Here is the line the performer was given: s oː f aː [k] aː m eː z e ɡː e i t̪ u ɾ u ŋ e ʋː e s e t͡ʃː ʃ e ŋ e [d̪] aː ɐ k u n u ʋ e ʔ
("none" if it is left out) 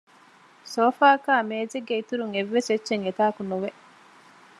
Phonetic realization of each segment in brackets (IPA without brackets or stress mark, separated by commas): k, t̪